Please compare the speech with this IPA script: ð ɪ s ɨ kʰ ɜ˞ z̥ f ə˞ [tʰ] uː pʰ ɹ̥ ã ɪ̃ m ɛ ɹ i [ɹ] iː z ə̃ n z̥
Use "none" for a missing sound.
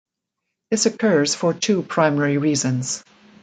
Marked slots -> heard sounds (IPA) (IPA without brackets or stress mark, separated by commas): tʰ, ɹ